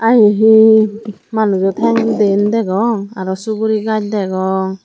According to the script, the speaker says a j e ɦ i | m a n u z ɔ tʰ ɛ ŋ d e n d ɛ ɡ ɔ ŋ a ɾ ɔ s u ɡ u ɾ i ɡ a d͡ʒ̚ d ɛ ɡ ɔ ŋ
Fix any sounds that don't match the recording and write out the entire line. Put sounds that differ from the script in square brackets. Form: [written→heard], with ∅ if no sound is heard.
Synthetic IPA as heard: a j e ɦ i | m a n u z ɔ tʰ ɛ ŋ d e n d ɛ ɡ ɔ ŋ a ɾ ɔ s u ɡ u ɾ i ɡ a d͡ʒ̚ d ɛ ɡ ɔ ŋ